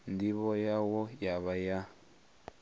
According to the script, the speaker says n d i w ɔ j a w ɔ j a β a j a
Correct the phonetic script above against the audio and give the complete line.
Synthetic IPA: n d i β ɔ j a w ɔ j a β a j a